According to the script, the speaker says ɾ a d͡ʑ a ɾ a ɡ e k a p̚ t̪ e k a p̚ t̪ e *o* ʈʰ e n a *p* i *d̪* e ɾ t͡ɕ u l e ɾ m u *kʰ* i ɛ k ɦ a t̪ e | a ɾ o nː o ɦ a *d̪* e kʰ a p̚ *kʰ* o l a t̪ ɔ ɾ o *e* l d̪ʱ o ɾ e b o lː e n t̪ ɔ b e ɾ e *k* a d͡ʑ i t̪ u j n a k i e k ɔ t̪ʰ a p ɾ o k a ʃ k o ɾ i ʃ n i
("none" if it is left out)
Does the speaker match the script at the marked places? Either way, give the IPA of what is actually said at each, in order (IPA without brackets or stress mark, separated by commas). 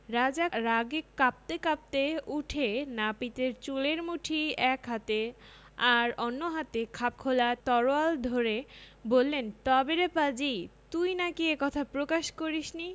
u, p, t̪, ʈʰ, t̪, kʰ, a, p